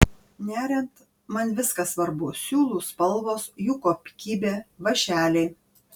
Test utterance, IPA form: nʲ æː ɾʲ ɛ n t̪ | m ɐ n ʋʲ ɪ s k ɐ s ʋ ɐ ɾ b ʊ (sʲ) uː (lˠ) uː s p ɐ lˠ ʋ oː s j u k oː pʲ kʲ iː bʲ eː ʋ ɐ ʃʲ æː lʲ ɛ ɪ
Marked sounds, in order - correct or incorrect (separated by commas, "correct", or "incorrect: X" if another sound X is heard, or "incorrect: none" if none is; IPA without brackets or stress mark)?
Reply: correct, correct